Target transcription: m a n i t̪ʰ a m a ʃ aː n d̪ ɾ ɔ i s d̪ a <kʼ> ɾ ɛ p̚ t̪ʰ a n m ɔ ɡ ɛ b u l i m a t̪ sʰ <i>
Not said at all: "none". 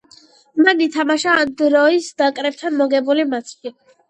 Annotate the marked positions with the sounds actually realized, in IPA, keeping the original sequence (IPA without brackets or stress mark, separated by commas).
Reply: kʼ, i